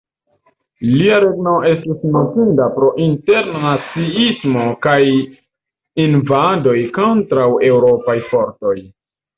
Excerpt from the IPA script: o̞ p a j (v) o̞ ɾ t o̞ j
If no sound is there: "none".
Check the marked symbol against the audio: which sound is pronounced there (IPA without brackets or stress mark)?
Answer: f